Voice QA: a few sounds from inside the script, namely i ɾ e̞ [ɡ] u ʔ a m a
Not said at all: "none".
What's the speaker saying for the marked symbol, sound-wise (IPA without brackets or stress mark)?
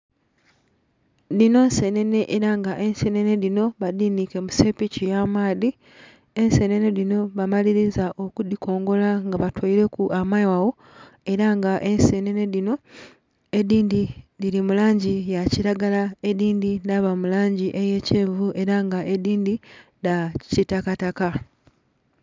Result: k